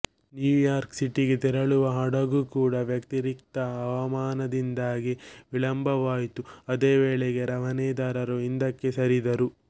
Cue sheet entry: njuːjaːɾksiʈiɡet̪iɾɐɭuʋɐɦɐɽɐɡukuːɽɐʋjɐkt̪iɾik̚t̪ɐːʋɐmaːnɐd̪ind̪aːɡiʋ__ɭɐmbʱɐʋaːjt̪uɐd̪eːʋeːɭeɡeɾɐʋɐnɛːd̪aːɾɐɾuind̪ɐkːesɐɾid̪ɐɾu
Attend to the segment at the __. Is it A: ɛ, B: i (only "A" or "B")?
B